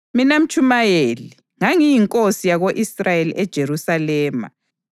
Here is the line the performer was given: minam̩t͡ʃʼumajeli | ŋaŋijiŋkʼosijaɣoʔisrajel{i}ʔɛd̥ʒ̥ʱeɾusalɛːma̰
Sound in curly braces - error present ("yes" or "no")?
no